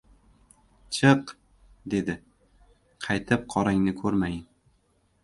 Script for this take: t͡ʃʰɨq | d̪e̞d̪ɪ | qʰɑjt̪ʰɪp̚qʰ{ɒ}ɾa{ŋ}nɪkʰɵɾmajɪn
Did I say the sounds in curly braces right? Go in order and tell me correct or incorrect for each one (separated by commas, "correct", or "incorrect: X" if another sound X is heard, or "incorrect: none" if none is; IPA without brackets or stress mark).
correct, correct